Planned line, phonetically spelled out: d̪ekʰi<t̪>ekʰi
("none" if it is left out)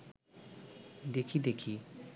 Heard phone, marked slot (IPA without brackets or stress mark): d̪